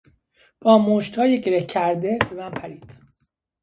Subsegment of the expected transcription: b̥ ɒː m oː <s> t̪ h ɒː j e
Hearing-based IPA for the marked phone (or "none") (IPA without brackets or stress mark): ʃ